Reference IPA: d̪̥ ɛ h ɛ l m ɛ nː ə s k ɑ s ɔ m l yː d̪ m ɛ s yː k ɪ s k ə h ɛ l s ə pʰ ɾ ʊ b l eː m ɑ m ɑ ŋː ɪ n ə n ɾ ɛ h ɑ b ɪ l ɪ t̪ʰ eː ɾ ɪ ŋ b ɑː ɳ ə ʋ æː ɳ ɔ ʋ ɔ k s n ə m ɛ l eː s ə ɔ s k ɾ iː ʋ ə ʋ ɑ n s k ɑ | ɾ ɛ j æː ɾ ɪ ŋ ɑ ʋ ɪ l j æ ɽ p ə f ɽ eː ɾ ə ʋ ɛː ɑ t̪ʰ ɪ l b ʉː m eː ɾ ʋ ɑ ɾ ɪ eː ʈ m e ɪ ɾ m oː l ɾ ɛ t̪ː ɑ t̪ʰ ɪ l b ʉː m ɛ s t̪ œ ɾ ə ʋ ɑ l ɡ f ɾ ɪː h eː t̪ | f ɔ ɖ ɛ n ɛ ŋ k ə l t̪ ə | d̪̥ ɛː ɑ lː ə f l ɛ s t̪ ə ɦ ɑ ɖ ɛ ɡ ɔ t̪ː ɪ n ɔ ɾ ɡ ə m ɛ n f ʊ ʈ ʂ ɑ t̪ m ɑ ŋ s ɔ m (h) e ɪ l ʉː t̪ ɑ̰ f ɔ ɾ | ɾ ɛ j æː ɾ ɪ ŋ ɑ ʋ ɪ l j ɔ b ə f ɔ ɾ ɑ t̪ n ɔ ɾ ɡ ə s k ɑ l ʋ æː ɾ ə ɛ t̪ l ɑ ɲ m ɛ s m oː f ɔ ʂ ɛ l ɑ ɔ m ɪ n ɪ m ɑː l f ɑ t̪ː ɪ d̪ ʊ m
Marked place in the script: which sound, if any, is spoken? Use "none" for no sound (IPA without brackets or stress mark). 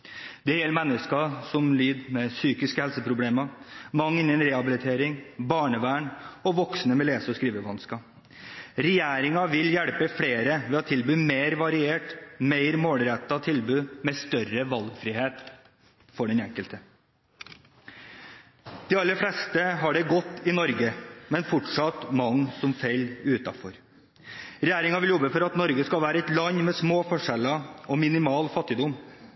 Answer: f